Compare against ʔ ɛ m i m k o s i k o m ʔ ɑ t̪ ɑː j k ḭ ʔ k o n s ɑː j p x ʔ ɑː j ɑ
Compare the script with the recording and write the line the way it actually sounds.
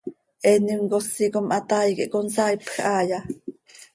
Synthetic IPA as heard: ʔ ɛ n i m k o s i k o m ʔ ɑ t̪ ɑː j k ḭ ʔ k o n s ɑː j p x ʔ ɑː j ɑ